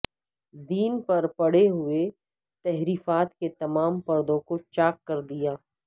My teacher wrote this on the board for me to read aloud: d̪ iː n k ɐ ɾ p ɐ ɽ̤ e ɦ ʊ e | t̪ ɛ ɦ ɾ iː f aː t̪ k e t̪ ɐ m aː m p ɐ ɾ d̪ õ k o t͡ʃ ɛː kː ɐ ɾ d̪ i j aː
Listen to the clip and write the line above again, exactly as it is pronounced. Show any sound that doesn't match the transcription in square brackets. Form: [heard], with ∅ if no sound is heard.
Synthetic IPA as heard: d̪ iː n [p] ɐ ɾ p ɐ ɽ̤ e ɦ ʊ e | t̪ ɛ ɦ ɾ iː f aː t̪ k e t̪ ɐ m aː m p ɐ ɾ d̪ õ k o t͡ʃ [aː] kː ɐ ɾ d̪ i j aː